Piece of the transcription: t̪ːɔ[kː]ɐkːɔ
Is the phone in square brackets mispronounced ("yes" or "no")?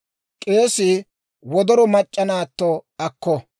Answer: yes